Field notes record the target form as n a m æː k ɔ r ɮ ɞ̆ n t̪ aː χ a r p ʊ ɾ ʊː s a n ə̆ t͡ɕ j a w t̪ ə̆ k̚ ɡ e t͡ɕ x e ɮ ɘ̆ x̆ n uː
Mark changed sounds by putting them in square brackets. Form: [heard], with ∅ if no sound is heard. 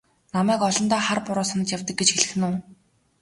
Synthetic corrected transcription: n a m æː k ɔ [∅] ɮ ɞ̆ n t̪ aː χ a r p ʊ ɾ ʊː s a n ə̆ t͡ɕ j a w t̪ ə̆ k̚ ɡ e t͡ɕ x e ɮ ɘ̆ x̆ n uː